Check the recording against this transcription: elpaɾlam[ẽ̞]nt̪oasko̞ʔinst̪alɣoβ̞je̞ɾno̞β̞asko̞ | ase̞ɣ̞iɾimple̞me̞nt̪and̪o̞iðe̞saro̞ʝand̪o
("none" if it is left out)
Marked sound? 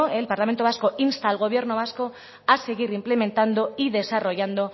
e̞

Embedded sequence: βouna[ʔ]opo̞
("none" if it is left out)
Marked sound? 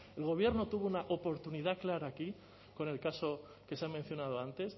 ʔ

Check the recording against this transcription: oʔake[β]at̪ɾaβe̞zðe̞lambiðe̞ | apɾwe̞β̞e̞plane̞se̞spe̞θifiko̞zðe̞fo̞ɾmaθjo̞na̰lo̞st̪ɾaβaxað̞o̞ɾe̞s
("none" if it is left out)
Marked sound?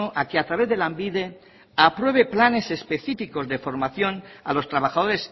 none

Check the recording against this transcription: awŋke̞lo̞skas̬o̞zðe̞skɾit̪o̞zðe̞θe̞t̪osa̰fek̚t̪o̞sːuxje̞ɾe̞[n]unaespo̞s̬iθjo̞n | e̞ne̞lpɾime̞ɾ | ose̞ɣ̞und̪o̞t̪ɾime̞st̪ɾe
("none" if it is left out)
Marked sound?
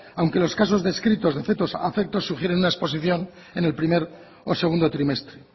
n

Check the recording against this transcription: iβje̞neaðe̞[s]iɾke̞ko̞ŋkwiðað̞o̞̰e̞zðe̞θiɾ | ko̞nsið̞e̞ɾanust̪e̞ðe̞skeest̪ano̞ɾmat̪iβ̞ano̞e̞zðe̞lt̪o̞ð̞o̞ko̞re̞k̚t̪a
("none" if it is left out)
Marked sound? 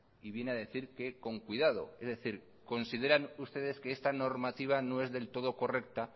θ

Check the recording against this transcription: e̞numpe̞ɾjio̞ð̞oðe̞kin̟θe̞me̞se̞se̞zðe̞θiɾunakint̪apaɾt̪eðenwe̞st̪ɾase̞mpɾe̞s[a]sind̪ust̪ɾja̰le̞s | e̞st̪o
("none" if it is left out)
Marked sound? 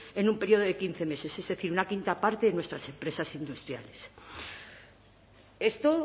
a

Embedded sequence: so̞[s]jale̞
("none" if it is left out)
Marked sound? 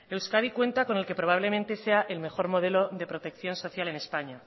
θ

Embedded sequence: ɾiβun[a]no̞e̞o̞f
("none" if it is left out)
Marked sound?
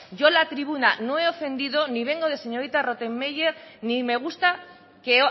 a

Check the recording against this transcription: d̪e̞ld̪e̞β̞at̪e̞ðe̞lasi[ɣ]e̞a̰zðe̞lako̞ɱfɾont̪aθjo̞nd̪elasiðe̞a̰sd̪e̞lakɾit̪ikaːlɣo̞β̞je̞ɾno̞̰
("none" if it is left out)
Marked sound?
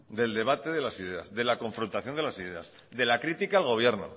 ð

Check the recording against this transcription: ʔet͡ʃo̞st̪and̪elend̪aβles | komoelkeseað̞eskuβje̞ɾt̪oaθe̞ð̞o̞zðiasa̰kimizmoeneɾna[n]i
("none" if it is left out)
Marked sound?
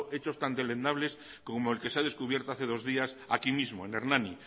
n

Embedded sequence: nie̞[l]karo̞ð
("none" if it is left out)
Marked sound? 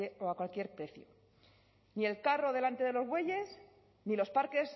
l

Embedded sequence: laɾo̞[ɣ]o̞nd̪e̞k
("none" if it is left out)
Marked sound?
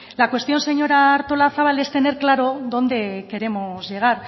ð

